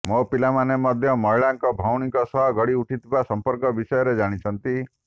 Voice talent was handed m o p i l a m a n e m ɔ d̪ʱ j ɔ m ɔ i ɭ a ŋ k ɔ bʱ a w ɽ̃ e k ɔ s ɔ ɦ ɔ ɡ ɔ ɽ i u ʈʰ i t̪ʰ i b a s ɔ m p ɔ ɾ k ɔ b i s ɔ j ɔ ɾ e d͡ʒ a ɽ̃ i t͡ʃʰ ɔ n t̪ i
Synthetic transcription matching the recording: m o p i l a m a n e m ɔ d̪ʱ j ɔ m ɔ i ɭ a ŋ k ɔ bʱ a w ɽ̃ i k ɔ s ɔ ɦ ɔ ɡ ɔ ɽ i u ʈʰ i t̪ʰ i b a s ɔ m p ɔ ɾ k ɔ b i s ɔ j ɔ ɾ e d͡ʒ a ɽ̃ i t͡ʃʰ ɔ n t̪ i

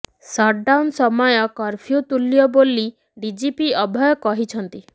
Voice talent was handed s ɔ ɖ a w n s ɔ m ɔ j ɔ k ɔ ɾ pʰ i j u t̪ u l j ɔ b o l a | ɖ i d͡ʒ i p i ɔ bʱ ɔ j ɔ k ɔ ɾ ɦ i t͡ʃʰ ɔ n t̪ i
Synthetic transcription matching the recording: s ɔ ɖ a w n s ɔ m ɔ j ɔ k ɔ ɾ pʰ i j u t̪ u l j ɔ b o l i | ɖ i d͡ʒ i p i ɔ bʱ ɔ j ɔ k ɔ ɦ i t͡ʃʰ ɔ n t̪ i

